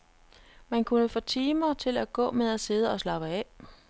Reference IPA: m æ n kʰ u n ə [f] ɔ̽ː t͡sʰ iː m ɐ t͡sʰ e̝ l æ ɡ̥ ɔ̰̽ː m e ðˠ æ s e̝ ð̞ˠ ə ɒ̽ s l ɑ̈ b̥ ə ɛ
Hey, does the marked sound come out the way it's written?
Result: yes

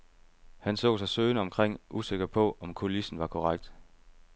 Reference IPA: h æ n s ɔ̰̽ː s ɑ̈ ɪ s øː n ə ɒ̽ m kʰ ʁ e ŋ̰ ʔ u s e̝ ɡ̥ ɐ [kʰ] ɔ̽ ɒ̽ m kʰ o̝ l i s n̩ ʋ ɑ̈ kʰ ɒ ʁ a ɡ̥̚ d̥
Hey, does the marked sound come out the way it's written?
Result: no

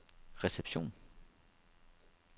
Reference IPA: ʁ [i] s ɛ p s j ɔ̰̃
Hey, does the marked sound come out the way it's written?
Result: no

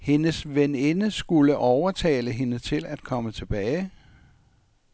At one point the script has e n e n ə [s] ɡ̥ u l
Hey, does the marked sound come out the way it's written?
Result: yes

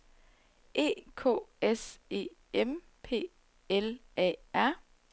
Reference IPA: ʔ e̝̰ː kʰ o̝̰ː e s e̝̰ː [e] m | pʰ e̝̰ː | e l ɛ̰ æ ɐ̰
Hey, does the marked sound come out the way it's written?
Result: yes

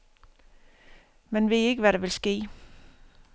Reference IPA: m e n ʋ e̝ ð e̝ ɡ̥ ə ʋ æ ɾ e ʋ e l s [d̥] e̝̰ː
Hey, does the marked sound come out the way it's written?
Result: no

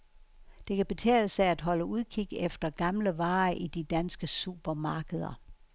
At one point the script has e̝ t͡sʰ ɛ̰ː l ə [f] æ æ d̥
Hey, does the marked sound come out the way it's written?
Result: no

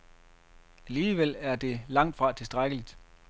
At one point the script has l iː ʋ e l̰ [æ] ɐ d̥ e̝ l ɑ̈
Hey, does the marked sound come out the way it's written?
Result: yes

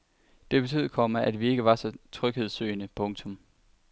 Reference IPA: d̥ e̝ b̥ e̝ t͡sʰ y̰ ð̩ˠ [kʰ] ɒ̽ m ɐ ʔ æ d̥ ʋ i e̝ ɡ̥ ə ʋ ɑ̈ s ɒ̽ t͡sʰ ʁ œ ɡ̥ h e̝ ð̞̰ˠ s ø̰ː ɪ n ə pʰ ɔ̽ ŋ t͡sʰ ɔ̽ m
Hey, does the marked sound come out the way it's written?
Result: yes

